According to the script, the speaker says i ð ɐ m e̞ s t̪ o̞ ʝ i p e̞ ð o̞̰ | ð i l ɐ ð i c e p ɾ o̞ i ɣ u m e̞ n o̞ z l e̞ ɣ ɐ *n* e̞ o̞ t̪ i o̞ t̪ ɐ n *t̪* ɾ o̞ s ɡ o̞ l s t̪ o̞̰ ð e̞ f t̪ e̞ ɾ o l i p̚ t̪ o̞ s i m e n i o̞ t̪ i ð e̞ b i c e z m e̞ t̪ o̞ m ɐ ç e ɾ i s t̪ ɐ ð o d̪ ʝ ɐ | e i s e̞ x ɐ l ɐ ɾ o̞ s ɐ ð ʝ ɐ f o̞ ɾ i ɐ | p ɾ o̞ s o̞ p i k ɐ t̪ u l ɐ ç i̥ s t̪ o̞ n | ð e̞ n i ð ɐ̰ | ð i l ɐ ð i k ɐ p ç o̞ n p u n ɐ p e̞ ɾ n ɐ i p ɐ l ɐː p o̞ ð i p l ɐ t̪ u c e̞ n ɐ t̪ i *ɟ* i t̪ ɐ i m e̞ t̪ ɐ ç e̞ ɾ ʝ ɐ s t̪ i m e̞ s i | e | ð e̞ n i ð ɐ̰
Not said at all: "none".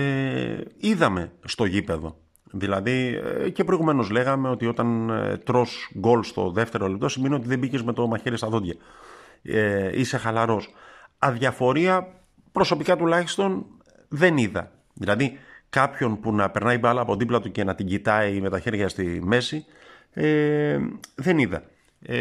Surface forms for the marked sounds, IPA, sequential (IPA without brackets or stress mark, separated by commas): m, t̪, ɟ